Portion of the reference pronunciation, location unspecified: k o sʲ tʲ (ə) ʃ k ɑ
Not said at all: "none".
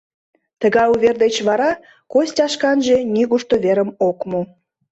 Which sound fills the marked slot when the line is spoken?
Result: ɑ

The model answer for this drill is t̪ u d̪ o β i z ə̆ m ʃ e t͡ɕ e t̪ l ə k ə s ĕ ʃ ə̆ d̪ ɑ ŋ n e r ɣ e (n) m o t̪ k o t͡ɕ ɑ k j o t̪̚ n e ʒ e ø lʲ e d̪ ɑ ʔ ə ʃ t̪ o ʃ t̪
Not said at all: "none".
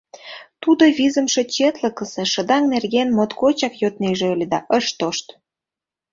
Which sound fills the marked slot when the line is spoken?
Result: n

